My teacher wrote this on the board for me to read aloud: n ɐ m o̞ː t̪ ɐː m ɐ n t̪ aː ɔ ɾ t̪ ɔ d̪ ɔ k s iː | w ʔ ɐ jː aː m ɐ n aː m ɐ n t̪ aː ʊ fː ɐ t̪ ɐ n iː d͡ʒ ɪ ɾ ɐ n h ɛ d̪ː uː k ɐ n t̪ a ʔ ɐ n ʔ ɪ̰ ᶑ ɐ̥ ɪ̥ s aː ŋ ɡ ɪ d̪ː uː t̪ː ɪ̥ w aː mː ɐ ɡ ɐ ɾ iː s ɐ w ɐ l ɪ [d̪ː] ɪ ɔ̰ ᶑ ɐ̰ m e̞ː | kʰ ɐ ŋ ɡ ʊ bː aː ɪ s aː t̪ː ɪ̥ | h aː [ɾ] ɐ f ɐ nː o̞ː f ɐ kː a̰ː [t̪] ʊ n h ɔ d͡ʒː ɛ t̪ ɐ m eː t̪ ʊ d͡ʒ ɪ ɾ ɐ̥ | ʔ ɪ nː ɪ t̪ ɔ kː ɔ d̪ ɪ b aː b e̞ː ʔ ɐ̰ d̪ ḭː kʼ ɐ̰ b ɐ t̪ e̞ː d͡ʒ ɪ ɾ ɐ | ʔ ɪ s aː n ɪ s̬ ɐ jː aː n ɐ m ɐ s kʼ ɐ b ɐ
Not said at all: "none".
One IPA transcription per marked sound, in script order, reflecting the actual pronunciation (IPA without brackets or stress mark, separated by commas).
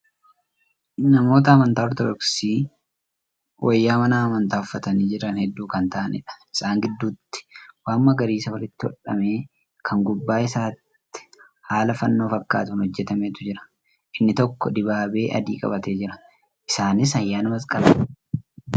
t̪ː, l, t̪